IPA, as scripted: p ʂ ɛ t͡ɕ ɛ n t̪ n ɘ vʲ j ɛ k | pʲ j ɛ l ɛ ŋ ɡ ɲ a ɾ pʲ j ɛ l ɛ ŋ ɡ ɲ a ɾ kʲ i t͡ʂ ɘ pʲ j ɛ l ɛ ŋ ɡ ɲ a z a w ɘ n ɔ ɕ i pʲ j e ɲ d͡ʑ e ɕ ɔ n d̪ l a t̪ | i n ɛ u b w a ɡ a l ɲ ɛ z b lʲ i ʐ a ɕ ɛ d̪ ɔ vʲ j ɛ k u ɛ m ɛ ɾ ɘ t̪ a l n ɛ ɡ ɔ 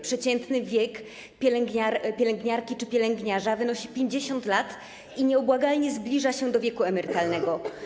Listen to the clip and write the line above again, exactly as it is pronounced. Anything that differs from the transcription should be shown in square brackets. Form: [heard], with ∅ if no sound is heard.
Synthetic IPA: p ʂ ɛ t͡ɕ ɛ n t̪ n ɘ vʲ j ɛ k | pʲ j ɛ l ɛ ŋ ɡ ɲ a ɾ pʲ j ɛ l ɛ ŋ ɡ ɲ a ɾ kʲ i t͡ʂ ɘ pʲ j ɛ l ɛ ŋ ɡ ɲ a [ʐ] a [v] ɘ n ɔ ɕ i pʲ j e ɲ d͡ʑ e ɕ ɔ n [t̪] l a t̪ | i [ɲ] ɛ [ɔ] b w a ɡ a l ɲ ɛ z b lʲ i ʐ a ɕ ɛ d̪ ɔ vʲ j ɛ k u ɛ m ɛ ɾ ɘ t̪ a l n ɛ ɡ ɔ

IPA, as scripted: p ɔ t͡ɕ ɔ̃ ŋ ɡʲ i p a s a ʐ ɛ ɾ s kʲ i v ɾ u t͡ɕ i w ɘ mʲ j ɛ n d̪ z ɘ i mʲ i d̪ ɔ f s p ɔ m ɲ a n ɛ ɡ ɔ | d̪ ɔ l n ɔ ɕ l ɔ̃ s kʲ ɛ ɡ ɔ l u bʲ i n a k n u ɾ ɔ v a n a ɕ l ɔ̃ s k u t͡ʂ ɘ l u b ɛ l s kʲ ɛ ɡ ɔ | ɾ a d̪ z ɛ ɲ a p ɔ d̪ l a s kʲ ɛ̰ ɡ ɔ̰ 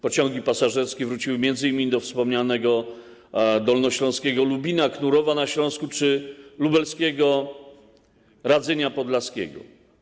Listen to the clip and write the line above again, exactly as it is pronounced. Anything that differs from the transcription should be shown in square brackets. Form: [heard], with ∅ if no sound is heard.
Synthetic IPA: p ɔ t͡ɕ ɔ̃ ŋ ɡʲ i p a s a ʐ ɛ ɾ s kʲ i v ɾ u t͡ɕ i w ɘ mʲ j ɛ n d̪ z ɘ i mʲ i d̪ ɔ f s p ɔ m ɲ a n ɛ ɡ ɔ | d̪ ɔ l n ɔ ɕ l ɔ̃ s kʲ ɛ ɡ ɔ l u bʲ i n a k n u ɾ ɔ v a n a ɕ l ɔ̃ s k u t͡ʂ ɘ l u b ɛ l s kʲ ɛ ɡ ɔ | ɾ a d̪ z ɛ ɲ a p ɔ d̪ l a s kʲ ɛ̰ ɡ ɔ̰

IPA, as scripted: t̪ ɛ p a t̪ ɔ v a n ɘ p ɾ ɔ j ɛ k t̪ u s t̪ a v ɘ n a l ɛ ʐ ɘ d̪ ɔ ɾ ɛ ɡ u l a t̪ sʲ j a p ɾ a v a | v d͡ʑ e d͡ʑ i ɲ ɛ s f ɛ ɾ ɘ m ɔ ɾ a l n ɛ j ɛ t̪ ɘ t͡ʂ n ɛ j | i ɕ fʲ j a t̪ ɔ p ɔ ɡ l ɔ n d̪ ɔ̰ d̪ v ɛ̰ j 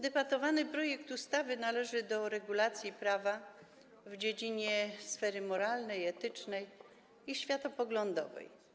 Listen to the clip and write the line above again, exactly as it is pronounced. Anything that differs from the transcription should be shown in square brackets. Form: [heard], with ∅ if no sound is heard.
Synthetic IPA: [d̪] ɛ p a t̪ ɔ v a n ɘ p ɾ ɔ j ɛ k t̪ u s t̪ a v ɘ n a l ɛ ʐ ɘ d̪ ɔ ɾ ɛ ɡ u l a t̪ sʲ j [i] p ɾ a v a | v d͡ʑ e d͡ʑ i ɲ ɛ s f ɛ ɾ ɘ m ɔ ɾ a l n ɛ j ɛ t̪ ɘ t͡ʂ n ɛ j | i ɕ fʲ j a t̪ ɔ p ɔ ɡ l ɔ n d̪ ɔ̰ [∅] v ɛ̰ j

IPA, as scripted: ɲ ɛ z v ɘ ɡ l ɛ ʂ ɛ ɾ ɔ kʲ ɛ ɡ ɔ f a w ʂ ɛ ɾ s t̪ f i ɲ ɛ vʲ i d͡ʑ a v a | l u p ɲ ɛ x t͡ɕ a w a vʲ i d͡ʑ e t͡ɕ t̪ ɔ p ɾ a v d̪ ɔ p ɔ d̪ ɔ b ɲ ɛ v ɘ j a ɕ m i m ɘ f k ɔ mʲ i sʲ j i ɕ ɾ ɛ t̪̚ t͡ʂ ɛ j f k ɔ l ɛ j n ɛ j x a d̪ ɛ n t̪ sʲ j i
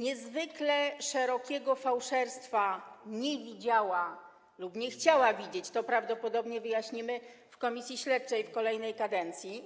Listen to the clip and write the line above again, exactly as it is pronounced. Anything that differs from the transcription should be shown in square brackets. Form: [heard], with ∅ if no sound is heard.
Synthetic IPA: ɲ ɛ z v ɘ [k] l ɛ ʂ ɛ ɾ ɔ kʲ ɛ ɡ ɔ f a w ʂ ɛ ɾ s t̪ f [a] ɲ ɛ vʲ i d͡ʑ a [w] a | l u p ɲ ɛ x t͡ɕ a w a vʲ i d͡ʑ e t͡ɕ t̪ ɔ p ɾ a v d̪ ɔ p ɔ d̪ ɔ b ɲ ɛ v ɘ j a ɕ [ɲ] i m ɘ f k ɔ mʲ i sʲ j i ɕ [l] ɛ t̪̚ t͡ʂ ɛ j f k ɔ l ɛ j n ɛ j [k] a d̪ ɛ n t̪ sʲ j i

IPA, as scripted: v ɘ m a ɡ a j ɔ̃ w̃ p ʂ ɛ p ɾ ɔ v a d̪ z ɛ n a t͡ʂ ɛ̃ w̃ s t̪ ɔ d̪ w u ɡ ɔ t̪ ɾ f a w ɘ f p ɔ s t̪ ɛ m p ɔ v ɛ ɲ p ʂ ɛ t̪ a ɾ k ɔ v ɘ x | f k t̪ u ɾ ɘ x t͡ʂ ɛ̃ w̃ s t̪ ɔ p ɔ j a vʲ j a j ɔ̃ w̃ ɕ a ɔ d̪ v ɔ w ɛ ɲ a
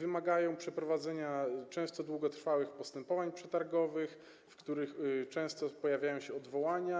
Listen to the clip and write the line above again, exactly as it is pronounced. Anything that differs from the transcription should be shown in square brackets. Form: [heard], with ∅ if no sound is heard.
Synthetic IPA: v ɘ m a ɡ a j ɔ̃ w̃ p ʂ ɛ p ɾ ɔ v a d̪ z ɛ [ɲ] a t͡ʂ ɛ̃ w̃ s t̪ ɔ d̪ w u ɡ ɔ t̪ ɾ f a w ɘ [x] p ɔ s t̪ ɛ m p ɔ v [a] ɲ p ʂ ɛ t̪ a ɾ [ɡ] ɔ v ɘ x | f k t̪ u ɾ ɘ x t͡ʂ ɛ̃ w̃ s t̪ ɔ p ɔ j a vʲ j a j ɔ̃ w̃ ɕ [ɛ] ɔ d̪ v ɔ w [a] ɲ a

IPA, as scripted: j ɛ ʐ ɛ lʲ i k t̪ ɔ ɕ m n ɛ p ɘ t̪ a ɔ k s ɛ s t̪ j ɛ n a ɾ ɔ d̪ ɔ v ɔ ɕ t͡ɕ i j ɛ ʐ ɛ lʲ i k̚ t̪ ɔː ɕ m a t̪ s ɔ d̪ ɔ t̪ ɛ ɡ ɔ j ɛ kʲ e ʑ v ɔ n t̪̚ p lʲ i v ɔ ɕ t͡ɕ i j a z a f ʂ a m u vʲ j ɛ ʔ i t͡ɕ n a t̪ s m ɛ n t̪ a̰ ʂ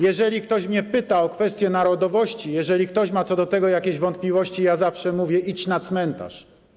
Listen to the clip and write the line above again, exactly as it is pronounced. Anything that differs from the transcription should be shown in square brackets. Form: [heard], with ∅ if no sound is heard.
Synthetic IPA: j ɛ ʐ ɛ lʲ i k t̪ ɔ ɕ m [ɲ] ɛ p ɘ t̪ a ɔ k [f] ɛ s t̪ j ɛ n a ɾ ɔ d̪ ɔ v ɔ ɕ t͡ɕ i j ɛ ʐ ɛ lʲ i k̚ t̪ [ɔ] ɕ m a t̪ s ɔ d̪ ɔ t̪ ɛ ɡ ɔ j [a] kʲ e ʑ v ɔ n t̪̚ p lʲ i v ɔ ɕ t͡ɕ i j a z a f ʂ [ɛ] m u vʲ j ɛ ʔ i t͡ɕ n a t̪ s m ɛ n t̪ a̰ ʂ

